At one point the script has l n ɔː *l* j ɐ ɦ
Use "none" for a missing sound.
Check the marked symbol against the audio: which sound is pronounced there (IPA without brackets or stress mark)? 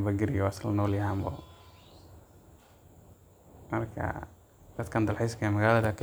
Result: l